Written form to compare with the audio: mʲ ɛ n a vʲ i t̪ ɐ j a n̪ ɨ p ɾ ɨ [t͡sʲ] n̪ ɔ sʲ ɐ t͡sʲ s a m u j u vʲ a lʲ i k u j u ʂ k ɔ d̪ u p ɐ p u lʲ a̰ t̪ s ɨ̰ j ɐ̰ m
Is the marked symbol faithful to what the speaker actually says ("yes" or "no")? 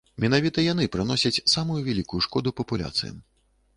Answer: no